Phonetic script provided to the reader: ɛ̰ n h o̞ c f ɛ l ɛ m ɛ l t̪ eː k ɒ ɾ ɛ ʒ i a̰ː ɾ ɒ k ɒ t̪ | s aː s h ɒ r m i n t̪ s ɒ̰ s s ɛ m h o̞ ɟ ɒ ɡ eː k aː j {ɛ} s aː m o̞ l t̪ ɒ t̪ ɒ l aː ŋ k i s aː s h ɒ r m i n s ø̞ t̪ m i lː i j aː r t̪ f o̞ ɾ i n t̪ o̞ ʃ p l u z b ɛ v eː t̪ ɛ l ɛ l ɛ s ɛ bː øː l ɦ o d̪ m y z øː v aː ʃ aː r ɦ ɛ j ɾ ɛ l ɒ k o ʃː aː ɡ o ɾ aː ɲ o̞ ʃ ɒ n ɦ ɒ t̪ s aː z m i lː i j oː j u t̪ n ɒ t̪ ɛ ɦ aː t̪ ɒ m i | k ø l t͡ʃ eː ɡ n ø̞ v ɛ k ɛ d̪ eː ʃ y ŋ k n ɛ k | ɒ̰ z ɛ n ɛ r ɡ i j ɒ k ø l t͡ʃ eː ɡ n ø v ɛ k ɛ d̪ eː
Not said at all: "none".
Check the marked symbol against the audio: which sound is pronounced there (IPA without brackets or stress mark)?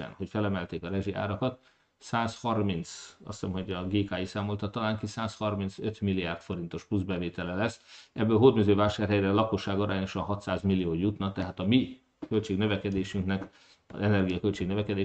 i